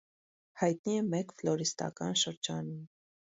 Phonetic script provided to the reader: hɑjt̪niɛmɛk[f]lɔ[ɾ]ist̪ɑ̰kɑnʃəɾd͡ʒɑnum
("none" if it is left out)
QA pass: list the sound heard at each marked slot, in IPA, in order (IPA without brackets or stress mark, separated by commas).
f, ɾ